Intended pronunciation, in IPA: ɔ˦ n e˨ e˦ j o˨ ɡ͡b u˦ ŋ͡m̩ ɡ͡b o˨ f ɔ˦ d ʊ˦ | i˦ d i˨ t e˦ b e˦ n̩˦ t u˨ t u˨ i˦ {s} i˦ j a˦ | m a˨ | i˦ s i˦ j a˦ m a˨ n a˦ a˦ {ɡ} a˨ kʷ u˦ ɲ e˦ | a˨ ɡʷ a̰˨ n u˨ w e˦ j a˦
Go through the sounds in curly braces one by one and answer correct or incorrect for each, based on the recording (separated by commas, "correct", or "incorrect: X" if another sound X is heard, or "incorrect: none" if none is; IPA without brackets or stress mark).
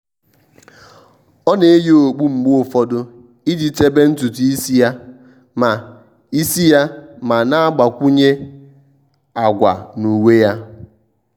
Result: correct, incorrect: ɡ͡b